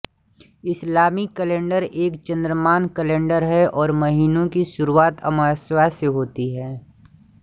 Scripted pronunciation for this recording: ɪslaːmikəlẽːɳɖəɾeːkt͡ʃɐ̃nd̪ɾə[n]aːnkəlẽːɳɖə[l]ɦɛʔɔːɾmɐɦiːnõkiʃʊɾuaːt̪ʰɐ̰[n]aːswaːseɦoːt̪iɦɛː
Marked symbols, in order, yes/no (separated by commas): no, no, no